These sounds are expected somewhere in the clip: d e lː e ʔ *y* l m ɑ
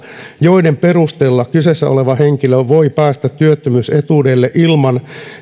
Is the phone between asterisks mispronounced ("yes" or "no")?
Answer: yes